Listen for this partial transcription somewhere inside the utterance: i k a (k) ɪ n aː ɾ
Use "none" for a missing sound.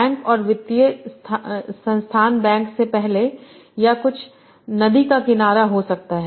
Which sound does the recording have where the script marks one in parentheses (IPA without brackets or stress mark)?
k